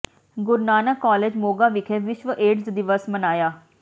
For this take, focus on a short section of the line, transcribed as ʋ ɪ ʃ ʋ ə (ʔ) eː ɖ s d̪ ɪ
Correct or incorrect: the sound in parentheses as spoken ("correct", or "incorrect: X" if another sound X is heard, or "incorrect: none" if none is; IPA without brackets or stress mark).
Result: correct